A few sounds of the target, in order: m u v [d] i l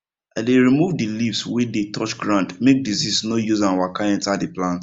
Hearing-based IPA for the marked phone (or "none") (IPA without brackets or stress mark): d